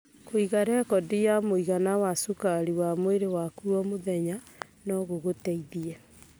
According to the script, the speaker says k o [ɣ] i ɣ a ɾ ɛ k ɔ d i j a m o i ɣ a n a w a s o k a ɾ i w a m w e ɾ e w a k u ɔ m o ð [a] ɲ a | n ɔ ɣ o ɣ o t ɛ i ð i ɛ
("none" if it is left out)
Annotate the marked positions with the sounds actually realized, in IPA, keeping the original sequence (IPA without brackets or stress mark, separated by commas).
none, ɛ